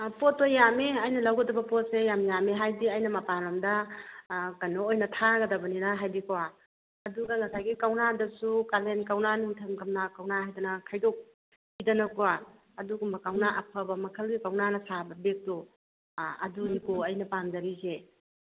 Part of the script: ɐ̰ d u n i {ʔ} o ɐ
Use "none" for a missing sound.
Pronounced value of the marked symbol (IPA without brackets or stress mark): k